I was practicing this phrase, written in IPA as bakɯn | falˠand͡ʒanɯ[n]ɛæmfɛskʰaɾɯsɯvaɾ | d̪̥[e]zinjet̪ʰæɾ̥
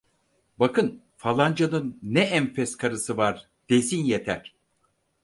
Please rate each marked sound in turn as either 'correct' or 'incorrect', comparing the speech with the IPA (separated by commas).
incorrect, correct